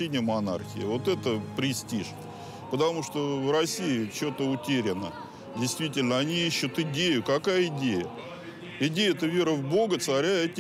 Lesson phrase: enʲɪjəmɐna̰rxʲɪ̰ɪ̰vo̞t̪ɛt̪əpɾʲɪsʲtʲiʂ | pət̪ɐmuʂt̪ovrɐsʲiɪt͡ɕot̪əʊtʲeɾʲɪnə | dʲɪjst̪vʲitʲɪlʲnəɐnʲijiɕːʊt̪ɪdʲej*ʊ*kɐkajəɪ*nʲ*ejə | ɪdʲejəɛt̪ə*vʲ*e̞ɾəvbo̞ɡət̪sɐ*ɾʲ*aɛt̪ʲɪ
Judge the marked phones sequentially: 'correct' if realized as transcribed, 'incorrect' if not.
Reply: correct, incorrect, correct, correct

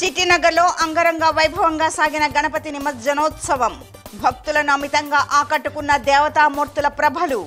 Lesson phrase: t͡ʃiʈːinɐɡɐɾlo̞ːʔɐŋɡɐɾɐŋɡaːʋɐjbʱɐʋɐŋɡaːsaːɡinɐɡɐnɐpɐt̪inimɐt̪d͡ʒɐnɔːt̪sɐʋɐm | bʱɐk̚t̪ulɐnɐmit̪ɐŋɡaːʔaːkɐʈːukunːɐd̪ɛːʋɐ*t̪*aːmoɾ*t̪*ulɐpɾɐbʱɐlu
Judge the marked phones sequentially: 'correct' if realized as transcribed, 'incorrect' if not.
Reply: correct, correct

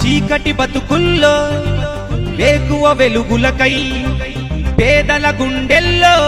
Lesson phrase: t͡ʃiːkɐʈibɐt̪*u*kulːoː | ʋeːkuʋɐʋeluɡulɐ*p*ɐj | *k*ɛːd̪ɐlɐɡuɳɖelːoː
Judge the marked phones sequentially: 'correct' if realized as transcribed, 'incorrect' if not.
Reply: correct, incorrect, incorrect

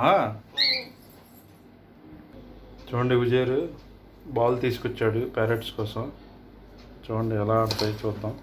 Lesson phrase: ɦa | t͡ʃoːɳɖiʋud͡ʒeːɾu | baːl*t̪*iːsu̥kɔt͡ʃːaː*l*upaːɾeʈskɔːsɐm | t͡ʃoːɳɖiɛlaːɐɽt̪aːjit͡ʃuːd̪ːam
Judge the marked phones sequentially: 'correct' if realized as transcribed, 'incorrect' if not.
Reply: correct, incorrect

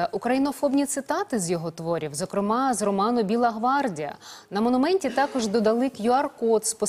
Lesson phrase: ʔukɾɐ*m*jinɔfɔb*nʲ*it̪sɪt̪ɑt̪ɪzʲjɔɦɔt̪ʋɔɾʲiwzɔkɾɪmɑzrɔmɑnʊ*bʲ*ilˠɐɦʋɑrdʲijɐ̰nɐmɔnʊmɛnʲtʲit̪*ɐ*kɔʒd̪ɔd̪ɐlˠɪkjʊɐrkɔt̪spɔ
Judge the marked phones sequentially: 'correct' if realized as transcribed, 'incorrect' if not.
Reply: incorrect, correct, correct, incorrect

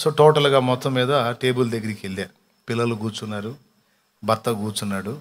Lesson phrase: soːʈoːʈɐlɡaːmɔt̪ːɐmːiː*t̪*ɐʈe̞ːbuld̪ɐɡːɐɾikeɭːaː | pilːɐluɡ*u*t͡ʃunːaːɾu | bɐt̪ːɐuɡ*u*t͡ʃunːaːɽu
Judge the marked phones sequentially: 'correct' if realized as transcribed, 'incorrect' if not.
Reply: incorrect, incorrect, incorrect

